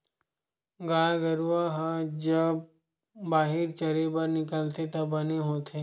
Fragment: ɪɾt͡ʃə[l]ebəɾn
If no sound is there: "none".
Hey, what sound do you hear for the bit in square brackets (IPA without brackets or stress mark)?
ɾ